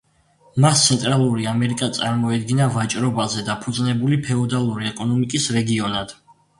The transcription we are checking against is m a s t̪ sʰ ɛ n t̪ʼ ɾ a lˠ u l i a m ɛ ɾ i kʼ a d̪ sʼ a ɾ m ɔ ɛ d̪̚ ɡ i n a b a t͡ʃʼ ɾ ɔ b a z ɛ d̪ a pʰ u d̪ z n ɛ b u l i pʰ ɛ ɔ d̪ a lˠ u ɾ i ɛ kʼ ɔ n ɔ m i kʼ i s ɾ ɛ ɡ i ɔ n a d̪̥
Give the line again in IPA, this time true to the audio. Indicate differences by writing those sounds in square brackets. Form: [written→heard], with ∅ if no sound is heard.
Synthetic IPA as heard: m a s t̪ sʰ ɛ n t̪ʼ ɾ a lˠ u [l→ɾ] i a m ɛ ɾ i kʼ a [d̪→t̪] sʼ a ɾ m ɔ ɛ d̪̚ ɡ i n a [b→v] a t͡ʃʼ ɾ ɔ b a z ɛ d̪ a pʰ u d̪ z n ɛ b u l i pʰ ɛ ɔ d̪ a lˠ u ɾ i ɛ kʼ ɔ n ɔ m i kʼ i s ɾ ɛ ɡ i ɔ n a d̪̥

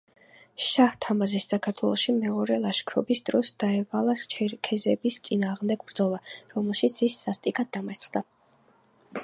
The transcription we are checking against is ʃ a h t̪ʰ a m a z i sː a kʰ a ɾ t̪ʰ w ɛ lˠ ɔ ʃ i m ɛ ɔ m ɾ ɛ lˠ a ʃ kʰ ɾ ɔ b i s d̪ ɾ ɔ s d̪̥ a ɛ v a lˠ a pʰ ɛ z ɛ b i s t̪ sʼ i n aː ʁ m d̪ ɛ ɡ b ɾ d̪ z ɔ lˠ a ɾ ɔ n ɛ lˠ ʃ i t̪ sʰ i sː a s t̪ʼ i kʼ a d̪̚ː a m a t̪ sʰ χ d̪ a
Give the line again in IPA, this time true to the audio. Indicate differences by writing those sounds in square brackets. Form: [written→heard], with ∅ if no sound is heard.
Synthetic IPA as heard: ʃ a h t̪ʰ a m a z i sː a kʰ a ɾ t̪ʰ w ɛ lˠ ɔ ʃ i m ɛ ɔ [m→∅] ɾ ɛ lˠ a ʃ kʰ ɾ ɔ b i s d̪ ɾ ɔ s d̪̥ a ɛ v a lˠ a [pʰ→kʰ] ɛ z ɛ b i s t̪ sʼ i n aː ʁ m d̪ ɛ ɡ b ɾ d̪ z ɔ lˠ a ɾ ɔ [n→m] ɛ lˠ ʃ i t̪ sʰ i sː a s t̪ʼ i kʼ a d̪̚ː a m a t̪ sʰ χ d̪ a

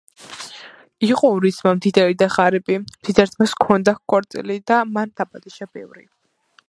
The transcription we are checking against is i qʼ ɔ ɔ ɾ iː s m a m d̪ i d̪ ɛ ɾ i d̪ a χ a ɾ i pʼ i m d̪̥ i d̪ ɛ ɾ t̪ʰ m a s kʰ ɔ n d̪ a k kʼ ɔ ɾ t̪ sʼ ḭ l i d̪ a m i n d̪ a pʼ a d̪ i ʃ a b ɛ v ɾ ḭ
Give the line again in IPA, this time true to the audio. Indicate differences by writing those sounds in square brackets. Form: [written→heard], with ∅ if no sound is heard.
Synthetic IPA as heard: i qʼ ɔ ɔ ɾ [iː→i] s m a m d̪ i d̪ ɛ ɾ i d̪ a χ a ɾ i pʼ i m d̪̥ i d̪ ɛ ɾ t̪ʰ m a s kʰ ɔ n d̪ a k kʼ ɔ ɾ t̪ sʼ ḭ l i d̪ a m [i→a] n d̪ a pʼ a d̪ i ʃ a b ɛ v ɾ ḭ

